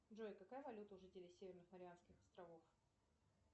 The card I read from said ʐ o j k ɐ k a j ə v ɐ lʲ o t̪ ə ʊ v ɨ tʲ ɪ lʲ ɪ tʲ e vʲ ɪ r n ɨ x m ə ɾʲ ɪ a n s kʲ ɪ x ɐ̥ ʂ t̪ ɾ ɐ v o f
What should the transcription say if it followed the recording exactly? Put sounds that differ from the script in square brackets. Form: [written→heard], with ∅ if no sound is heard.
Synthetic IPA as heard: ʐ o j k ɐ k a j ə v ɐ lʲ [o→u] t̪ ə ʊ [v→ʐ] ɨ tʲ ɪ lʲ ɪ [tʲ→sʲ] e vʲ ɪ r n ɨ x m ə ɾʲ ɪ a n s kʲ ɪ x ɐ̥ [ʂ→s] t̪ ɾ ɐ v o f